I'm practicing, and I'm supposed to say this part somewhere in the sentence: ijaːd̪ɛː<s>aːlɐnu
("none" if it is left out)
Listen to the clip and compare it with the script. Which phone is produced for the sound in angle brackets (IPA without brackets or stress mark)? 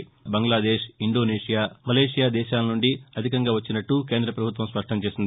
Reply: ʃ